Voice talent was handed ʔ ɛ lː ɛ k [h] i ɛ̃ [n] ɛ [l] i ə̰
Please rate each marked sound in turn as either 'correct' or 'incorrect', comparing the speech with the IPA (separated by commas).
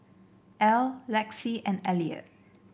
incorrect, correct, correct